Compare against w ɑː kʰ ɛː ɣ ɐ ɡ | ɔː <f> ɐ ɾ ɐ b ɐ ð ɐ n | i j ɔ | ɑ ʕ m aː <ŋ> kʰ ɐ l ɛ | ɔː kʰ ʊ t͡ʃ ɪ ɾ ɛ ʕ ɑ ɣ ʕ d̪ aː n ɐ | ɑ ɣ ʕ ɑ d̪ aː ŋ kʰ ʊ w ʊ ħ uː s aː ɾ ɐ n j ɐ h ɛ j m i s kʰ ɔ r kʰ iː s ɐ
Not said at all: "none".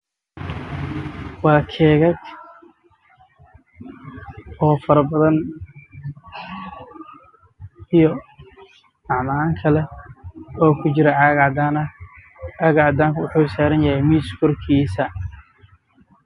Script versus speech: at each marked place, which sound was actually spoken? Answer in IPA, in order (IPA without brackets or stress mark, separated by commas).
f, ŋ